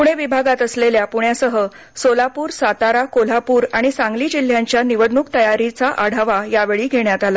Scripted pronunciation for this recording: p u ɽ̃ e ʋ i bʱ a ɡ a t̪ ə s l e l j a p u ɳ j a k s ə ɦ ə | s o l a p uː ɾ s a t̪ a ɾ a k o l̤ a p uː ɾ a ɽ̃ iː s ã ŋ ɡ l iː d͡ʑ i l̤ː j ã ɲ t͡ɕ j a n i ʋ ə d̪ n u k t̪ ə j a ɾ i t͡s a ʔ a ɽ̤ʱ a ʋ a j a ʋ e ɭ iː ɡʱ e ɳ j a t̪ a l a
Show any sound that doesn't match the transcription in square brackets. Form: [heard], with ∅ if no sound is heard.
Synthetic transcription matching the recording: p u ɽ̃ e ʋ i bʱ a ɡ a t̪ ə s l e l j a p u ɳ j a [∅] s ə ɦ ə | s o l a p uː ɾ s a t̪ a ɾ a k o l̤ a p uː ɾ a ɽ̃ [i] s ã ŋ ɡ l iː d͡ʑ i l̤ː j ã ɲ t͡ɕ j a n i ʋ ə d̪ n u k t̪ ə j a ɾ i t͡s a ʔ a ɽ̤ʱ a ʋ a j a ʋ e ɭ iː ɡʱ e ɳ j a t̪ a l a